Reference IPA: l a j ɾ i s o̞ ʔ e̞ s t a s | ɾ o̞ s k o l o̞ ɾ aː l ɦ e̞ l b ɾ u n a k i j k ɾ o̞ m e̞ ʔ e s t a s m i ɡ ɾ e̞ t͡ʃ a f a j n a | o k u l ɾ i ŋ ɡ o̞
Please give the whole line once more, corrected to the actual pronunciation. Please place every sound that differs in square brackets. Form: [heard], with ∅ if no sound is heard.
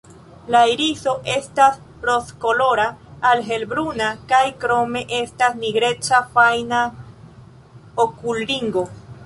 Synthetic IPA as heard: l a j ɾ i s o̞ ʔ e̞ s t a s | ɾ o̞ s k o l o̞ ɾ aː l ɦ e̞ l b ɾ u n a k [a] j k ɾ o̞ m e̞ ʔ e s t a s [n] i ɡ ɾ e̞ t͡ʃ a f a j n a | o k u l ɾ i ŋ ɡ o̞